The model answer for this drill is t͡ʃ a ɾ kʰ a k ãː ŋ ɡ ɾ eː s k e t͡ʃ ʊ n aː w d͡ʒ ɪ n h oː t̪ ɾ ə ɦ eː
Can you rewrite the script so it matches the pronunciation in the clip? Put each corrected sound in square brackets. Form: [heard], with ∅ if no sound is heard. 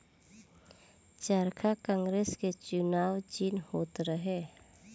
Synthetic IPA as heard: t͡ʃ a ɾ kʰ a k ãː ŋ ɡ ɾ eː s k e t͡ʃ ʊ n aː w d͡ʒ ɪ n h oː t̪ ɾ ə ɦ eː